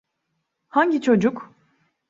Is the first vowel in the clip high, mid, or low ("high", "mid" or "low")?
low